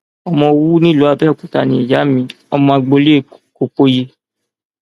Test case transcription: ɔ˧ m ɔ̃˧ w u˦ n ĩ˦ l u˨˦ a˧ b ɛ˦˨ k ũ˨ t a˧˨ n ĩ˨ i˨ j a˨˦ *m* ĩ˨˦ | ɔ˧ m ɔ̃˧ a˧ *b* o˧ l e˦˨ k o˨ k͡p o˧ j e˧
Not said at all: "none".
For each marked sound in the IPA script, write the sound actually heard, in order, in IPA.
m, ɡ͡b

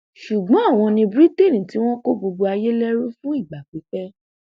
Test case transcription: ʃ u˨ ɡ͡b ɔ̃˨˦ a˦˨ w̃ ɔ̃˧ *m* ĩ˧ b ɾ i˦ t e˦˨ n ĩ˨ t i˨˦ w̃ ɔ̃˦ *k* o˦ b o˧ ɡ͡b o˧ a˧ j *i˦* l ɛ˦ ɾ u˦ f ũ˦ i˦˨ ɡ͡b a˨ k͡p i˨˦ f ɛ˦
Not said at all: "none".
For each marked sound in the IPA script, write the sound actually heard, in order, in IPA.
n, k, e˦

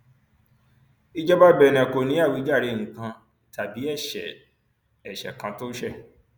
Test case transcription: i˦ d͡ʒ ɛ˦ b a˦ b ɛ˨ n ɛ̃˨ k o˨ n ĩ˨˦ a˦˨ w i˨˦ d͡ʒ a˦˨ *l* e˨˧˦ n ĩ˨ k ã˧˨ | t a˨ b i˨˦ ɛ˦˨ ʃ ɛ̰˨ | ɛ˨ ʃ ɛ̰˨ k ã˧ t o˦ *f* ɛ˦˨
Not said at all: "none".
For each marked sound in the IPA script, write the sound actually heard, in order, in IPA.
ɾ, ʃ

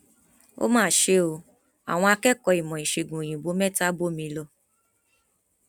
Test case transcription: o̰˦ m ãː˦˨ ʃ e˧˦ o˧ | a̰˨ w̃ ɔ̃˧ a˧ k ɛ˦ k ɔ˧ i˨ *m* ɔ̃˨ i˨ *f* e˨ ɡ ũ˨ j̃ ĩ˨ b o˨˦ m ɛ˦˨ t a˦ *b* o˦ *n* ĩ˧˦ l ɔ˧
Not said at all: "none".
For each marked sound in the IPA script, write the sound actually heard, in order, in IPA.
m, ʃ, b, m

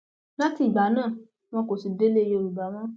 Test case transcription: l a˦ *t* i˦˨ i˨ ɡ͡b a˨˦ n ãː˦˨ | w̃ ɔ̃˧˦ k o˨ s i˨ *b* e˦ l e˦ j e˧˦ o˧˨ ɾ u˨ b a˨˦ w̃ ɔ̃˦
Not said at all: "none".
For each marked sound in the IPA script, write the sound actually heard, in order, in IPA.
t, d

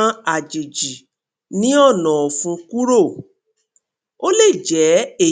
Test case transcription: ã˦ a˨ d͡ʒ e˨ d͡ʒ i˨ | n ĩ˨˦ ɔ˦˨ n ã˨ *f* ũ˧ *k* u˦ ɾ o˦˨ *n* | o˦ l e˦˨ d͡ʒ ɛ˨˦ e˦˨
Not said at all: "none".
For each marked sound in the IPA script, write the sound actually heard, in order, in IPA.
f, k, none

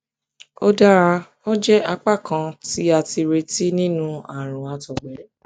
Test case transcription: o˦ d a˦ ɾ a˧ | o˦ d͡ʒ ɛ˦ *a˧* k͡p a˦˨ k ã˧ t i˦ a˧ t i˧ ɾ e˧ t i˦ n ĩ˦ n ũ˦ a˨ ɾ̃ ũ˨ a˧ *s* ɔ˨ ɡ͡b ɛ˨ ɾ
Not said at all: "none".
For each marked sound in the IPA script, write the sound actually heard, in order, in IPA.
a˧, t

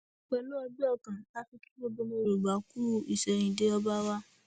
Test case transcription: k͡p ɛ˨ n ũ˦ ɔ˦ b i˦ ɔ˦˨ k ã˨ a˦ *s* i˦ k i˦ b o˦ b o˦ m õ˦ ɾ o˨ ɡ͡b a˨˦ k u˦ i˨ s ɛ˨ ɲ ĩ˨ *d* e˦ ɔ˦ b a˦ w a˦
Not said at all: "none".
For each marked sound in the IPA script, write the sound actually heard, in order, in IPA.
f, d

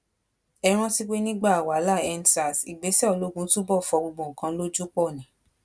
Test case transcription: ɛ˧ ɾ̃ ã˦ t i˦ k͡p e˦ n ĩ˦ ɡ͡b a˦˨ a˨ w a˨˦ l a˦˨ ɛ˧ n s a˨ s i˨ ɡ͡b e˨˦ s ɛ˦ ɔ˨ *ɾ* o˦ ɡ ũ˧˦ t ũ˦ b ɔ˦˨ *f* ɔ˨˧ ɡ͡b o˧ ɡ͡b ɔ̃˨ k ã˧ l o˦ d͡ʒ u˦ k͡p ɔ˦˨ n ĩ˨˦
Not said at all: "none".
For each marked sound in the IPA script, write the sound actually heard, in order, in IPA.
l, f

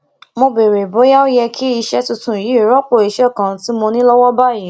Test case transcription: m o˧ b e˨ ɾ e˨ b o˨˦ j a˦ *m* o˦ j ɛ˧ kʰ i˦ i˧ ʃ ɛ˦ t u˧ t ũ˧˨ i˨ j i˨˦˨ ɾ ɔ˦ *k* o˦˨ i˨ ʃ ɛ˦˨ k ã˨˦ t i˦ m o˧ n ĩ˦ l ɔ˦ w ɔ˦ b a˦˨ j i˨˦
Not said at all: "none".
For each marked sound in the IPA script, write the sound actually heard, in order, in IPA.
none, k͡p

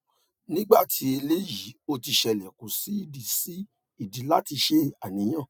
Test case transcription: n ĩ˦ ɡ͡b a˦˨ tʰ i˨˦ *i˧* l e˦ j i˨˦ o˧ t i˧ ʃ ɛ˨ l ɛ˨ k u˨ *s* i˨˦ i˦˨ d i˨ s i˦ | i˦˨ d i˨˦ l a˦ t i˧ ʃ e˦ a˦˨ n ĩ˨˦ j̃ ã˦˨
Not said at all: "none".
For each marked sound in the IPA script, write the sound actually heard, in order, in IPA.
e˧, s

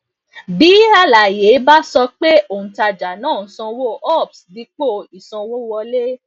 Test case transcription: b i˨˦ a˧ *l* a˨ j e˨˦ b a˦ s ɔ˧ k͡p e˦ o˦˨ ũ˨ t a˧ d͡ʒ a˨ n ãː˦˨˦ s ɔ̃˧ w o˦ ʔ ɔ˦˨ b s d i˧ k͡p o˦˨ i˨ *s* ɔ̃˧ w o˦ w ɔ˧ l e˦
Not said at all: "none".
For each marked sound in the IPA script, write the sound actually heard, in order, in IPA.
l, s

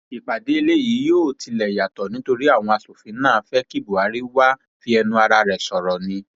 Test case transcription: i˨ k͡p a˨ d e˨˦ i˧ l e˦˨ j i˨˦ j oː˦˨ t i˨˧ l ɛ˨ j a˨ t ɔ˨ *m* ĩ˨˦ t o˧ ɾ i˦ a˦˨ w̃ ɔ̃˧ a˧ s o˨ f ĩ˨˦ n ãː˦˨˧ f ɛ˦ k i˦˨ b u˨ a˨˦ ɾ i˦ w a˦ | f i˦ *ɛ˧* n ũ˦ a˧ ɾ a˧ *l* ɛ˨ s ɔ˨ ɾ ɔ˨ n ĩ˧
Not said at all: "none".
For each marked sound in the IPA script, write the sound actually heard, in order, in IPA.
n, ɛ˧, ɾ

